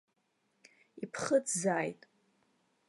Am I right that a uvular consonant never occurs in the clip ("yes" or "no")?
no